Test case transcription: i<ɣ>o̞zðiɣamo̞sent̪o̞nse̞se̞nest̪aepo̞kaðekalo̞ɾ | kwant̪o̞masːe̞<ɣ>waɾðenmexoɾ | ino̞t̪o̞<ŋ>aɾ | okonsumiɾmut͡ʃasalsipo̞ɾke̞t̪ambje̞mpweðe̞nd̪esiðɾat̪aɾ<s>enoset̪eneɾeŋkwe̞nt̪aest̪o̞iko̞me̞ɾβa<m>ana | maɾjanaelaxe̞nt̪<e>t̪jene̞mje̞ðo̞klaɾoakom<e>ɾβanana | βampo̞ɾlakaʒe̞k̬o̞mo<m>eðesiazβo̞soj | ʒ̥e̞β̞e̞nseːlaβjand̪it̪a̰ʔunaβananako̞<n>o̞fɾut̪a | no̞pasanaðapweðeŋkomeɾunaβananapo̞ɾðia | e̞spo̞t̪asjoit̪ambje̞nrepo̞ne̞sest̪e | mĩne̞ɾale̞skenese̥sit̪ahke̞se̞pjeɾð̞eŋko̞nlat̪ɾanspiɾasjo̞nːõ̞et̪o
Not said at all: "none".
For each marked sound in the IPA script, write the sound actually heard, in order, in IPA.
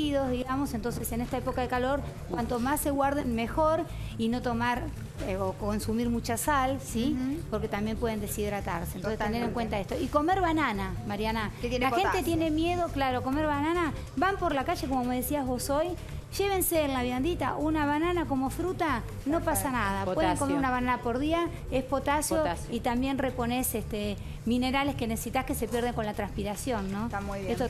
ð, ɣ, m, s, n, e, e, m, m

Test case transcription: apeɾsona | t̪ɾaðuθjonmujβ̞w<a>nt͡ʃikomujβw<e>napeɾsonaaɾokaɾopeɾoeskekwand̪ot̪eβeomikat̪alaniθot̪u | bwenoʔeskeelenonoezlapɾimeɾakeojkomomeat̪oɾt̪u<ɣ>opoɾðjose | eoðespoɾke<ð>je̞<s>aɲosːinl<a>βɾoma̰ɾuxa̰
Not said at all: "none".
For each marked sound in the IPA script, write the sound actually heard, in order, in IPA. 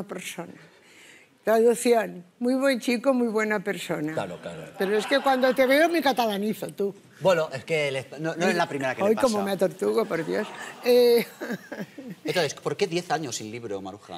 e, e, ɣ, ð, θ, i

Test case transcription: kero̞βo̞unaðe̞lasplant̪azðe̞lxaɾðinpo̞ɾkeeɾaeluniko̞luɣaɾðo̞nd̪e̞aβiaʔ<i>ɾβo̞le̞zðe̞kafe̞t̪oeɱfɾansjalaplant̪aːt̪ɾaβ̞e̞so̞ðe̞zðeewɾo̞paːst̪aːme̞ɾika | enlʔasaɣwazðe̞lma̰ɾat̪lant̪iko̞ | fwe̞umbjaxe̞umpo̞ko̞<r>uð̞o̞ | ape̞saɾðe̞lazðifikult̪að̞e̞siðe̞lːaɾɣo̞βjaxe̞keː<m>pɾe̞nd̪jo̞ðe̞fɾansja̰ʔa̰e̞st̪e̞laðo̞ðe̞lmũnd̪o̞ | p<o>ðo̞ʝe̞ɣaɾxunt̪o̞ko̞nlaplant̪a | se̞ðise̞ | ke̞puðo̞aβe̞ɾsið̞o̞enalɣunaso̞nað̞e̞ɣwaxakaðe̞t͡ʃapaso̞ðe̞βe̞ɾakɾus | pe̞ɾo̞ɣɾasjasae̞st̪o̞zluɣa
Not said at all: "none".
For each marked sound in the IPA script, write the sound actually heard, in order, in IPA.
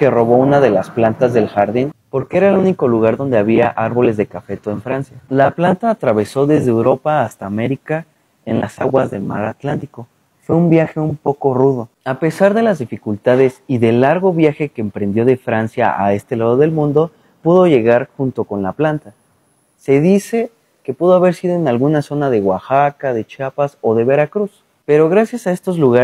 a, r, m, u

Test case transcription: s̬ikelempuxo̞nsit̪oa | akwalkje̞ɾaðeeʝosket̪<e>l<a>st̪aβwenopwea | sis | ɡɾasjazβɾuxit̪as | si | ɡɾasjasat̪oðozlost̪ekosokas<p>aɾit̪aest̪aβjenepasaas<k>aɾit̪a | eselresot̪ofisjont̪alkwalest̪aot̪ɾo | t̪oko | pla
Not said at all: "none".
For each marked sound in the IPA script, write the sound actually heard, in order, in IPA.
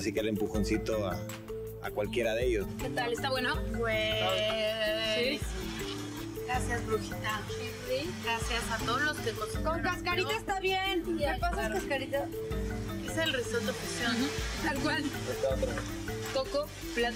a, e, k, k

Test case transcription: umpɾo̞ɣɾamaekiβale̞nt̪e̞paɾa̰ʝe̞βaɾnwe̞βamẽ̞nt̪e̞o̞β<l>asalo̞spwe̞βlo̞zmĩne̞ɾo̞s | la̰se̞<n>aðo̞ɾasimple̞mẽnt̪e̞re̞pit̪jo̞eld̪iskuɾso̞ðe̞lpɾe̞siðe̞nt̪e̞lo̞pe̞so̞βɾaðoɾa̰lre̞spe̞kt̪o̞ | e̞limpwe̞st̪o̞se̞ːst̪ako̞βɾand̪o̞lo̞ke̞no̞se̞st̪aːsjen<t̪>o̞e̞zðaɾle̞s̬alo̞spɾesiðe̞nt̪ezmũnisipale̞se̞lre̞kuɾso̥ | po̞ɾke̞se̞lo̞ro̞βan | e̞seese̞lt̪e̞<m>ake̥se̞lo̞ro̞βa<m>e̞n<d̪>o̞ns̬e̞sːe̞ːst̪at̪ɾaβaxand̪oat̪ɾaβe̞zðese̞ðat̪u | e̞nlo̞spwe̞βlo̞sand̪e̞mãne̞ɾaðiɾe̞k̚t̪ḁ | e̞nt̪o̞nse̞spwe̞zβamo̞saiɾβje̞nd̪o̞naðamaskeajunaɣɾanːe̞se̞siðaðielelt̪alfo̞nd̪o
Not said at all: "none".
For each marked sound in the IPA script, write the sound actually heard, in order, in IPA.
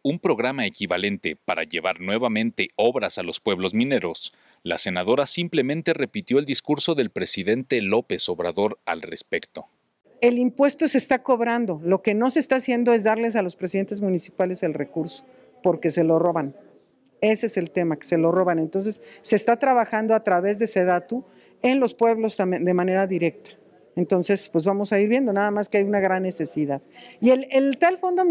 ɾ, n, d̪, m, n, t̪

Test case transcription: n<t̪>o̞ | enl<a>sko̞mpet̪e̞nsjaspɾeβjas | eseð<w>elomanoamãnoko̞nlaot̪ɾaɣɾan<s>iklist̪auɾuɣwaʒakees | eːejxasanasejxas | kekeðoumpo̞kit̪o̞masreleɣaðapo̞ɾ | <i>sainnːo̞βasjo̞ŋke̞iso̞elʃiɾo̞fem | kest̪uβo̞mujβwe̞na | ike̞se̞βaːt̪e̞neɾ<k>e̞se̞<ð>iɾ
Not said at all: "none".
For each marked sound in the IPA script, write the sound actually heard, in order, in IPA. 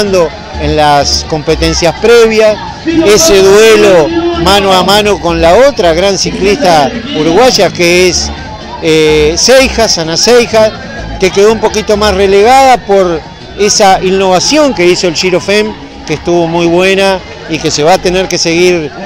d̪, a, w, s, e, k, ɣ

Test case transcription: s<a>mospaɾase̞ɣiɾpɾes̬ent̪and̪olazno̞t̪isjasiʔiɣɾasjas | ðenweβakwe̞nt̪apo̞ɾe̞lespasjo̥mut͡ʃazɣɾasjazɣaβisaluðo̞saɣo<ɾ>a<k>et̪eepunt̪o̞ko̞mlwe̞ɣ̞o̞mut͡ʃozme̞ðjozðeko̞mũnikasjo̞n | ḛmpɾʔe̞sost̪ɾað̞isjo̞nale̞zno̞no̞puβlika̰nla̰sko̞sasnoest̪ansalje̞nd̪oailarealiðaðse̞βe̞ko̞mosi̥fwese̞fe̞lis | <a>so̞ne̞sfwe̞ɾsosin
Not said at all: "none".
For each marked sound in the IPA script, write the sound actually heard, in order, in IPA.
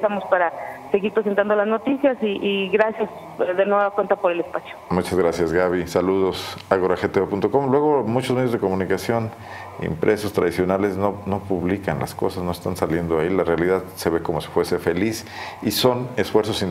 a, ɾ, x, i

